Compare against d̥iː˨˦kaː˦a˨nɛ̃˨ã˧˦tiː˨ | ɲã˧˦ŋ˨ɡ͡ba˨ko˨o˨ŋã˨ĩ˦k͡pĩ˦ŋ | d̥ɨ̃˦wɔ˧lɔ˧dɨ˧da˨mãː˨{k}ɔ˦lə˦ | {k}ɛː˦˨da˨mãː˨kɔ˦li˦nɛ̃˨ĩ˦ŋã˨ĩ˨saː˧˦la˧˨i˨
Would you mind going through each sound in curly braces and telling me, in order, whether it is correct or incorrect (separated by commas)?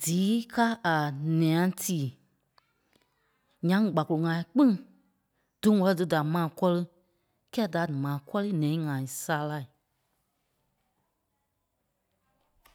correct, correct